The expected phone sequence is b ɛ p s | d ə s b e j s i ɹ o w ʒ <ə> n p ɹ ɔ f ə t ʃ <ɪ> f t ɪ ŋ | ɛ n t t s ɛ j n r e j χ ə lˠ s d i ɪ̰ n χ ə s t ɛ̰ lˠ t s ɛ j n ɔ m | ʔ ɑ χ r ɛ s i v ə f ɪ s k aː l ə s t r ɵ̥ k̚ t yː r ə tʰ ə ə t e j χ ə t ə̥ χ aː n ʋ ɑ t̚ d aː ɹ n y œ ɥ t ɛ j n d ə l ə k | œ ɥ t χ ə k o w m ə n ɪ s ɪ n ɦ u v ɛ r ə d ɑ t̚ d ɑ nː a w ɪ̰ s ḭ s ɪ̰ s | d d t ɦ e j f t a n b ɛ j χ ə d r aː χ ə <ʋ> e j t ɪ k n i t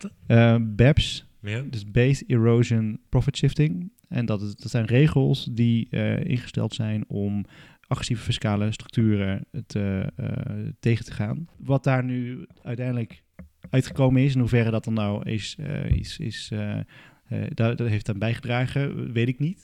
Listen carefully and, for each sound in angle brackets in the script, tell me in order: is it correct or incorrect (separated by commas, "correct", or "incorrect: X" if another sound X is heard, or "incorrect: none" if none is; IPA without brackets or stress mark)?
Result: correct, correct, correct